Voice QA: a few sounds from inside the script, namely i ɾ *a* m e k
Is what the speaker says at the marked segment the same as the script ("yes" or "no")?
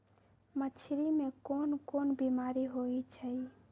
no